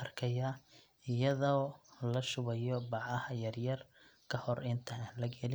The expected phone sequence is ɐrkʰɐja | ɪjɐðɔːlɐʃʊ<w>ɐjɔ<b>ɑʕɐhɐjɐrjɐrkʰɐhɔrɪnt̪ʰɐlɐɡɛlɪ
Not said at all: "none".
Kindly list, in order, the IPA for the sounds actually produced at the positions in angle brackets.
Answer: β, b

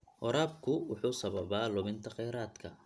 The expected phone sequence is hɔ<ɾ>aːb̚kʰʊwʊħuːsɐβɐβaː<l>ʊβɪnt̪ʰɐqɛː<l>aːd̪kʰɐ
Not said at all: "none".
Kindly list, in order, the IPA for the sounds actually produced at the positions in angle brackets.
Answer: ɾ, l, ɾ

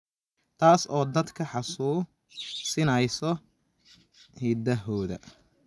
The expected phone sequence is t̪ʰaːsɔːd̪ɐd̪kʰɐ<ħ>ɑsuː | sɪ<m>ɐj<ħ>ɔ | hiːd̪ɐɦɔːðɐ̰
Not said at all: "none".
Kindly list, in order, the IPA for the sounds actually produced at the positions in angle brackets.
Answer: ħ, n, s

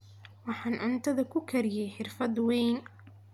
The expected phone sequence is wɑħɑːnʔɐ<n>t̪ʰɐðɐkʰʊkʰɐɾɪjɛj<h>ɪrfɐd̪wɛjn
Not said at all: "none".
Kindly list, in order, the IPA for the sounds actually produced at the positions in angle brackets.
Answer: n, ħ

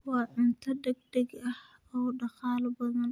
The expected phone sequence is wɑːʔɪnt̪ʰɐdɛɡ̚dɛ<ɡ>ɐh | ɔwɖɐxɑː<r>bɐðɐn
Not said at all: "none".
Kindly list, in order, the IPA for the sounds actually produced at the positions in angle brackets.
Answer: ɡ, l

